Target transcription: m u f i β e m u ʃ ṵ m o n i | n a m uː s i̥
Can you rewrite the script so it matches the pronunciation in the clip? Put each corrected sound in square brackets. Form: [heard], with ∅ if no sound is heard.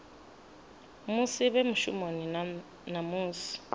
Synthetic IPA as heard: m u [s] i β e m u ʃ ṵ m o n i | n a m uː s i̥